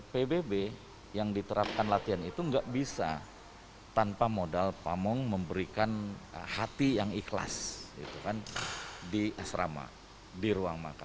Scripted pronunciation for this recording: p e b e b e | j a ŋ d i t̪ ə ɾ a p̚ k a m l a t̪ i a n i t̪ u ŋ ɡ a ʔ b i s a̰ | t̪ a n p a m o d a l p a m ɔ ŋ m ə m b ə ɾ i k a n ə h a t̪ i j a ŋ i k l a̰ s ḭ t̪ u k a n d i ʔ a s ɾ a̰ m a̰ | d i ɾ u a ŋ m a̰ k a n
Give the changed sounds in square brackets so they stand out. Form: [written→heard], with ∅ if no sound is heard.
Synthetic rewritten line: p e b e b e | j a ŋ d i t̪ ə ɾ a p̚ k a [m→n] l a t̪ i a n i t̪ u ŋ ɡ a ʔ b i s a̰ | t̪ a n p a m o d a l p a m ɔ ŋ m ə m b ə ɾ i k a n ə h a t̪ i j a ŋ i k l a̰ s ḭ t̪ u k a n d i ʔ a s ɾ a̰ m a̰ | d i ɾ u a ŋ m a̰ k a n